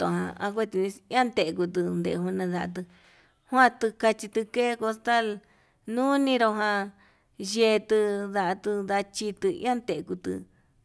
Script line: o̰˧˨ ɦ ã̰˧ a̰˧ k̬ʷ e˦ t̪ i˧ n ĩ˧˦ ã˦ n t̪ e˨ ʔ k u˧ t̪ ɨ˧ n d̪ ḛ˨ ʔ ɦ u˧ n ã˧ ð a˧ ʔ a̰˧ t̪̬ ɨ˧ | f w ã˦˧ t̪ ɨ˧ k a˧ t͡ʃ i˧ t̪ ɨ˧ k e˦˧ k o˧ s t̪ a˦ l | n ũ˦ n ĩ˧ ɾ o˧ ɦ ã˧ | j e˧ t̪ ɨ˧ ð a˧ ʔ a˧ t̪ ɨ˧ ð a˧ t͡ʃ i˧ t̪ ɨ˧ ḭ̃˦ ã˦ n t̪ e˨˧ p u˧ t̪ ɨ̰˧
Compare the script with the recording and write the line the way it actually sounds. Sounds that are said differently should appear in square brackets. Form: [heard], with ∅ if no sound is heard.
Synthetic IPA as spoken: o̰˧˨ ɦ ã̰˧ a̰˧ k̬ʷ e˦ t̪ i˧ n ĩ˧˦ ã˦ n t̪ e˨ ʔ k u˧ t̪ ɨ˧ n d̪ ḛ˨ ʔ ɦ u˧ n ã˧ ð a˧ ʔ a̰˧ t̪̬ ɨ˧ | [h] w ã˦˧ t̪ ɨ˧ k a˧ t͡ʃ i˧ t̪ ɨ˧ k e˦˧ k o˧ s t̪ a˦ l | n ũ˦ n ĩ˧ ɾ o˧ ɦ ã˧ | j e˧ t̪ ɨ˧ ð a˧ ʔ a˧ t̪ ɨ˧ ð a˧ t͡ʃ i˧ t̪ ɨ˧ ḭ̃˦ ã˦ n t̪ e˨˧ [k] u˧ t̪ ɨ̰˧

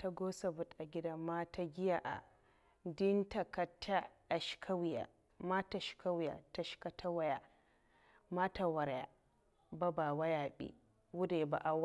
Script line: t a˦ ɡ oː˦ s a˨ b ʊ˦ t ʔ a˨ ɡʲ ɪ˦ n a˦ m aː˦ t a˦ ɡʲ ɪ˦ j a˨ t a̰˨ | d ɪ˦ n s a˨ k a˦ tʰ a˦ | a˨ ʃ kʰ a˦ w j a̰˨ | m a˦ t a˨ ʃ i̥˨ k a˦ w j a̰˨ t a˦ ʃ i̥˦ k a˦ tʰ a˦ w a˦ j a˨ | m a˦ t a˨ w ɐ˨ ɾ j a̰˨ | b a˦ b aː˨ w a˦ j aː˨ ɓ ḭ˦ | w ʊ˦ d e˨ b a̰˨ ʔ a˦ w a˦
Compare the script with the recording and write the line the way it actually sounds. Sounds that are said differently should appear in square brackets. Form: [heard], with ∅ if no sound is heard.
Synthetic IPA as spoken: t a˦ ɡ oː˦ s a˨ b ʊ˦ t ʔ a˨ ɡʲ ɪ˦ [d] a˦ m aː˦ t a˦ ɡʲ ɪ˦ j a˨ [ʔ] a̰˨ | d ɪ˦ n [t] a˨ k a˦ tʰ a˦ | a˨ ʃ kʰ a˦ w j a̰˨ | m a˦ t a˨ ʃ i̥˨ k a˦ w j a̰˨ t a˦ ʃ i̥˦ k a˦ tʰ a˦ w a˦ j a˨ | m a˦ t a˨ w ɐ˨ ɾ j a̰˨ | b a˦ b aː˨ w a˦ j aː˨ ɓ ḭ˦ | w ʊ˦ d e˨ b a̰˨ ʔ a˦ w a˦

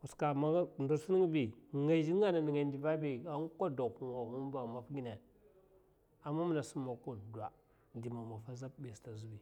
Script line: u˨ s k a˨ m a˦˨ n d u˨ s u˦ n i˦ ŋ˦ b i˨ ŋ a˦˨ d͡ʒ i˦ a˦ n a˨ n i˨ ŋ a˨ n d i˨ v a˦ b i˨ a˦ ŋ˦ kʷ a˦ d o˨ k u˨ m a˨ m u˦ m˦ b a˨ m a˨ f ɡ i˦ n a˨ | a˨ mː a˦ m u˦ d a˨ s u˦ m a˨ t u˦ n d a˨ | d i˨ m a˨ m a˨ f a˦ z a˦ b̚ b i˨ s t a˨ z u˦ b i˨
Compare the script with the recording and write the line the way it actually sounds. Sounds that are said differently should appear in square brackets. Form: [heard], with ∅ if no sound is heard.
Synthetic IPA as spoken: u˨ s k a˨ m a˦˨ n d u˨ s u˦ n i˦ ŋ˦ b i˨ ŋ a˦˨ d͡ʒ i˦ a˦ n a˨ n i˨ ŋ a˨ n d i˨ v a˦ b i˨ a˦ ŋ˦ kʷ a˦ d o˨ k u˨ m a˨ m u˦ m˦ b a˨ m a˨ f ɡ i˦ n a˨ | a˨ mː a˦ m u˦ [n] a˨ s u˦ m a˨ [k] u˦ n d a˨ | d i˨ m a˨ m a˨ f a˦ z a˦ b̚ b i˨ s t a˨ z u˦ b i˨

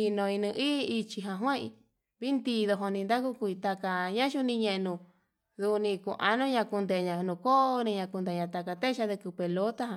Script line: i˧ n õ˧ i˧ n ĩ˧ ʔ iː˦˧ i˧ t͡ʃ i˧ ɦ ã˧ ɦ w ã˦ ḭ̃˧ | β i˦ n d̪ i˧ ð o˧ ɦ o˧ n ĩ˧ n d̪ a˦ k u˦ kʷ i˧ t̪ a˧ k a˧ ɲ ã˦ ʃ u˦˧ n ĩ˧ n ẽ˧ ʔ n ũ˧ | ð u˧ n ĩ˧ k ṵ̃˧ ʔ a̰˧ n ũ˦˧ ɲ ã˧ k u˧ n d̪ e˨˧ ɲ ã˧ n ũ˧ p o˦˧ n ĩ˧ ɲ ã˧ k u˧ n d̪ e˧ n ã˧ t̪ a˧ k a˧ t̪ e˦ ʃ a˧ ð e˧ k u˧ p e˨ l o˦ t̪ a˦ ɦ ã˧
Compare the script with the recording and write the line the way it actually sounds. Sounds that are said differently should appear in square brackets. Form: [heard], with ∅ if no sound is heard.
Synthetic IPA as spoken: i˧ n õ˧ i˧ n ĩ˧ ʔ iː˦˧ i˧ t͡ʃ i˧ ɦ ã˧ ɦ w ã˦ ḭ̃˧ | β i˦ n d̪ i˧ ð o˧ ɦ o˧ n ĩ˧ n d̪ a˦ k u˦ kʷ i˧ t̪ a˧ k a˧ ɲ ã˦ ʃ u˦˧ n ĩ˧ [ɲ] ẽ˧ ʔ n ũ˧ | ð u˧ n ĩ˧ k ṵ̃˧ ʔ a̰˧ n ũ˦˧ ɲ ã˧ k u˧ n d̪ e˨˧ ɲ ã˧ n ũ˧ [k] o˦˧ n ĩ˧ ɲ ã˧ k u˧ n d̪ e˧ [ɲ] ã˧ t̪ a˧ k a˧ t̪ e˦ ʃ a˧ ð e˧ k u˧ p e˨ l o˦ t̪ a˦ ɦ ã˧

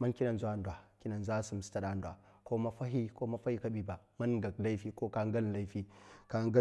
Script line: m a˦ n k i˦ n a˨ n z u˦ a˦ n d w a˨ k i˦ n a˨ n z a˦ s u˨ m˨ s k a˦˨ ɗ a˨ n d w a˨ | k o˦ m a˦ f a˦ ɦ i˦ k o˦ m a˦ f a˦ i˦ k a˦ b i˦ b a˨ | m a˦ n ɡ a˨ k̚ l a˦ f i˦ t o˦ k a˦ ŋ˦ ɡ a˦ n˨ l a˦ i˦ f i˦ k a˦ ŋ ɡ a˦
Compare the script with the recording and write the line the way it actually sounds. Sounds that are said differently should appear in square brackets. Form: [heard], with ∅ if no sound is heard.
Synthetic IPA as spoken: m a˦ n k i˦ n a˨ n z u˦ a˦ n d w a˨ k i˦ n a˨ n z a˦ s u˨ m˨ s [t] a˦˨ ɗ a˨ n d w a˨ | k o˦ m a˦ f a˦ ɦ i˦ k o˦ m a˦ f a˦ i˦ k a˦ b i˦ b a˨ | m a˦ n ɡ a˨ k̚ l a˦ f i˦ [k] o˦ k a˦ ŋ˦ ɡ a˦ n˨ l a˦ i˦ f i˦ k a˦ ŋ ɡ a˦

